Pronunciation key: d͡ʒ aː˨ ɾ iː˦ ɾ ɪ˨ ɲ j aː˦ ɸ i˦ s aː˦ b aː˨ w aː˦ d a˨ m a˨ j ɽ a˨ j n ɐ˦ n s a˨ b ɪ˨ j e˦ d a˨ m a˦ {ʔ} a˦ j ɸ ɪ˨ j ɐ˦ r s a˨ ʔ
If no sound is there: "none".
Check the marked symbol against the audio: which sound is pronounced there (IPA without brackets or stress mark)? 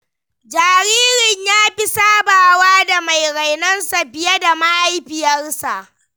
ʔ